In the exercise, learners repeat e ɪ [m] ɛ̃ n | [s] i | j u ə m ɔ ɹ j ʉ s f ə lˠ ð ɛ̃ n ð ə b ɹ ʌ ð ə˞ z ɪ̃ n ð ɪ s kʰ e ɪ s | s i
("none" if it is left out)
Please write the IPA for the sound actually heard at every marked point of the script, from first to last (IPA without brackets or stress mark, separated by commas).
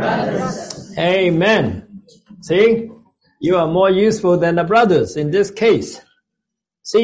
m, s